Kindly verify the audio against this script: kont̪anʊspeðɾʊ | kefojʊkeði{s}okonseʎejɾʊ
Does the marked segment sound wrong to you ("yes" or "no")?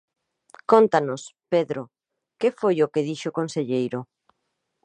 yes